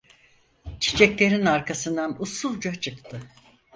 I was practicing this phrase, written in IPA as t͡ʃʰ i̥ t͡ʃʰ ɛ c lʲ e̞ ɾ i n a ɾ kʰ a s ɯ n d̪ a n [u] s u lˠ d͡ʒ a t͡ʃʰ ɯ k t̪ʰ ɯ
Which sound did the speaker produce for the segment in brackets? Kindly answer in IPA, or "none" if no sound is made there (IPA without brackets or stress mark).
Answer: u